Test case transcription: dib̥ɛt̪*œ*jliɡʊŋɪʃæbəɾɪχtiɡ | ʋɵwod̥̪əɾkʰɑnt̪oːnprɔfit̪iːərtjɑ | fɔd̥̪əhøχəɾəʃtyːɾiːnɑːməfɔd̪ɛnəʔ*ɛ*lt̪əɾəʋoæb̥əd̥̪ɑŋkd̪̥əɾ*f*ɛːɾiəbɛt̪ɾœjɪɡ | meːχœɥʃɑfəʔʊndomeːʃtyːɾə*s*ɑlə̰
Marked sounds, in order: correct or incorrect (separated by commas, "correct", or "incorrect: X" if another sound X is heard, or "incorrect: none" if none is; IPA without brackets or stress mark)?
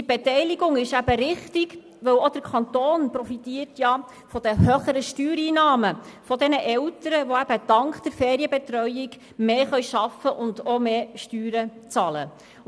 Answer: incorrect: ɛ, correct, correct, incorrect: t͡s